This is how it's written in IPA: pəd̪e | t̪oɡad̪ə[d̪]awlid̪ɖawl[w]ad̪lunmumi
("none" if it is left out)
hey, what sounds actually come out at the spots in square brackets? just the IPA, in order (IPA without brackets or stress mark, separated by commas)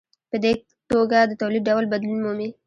t̪, b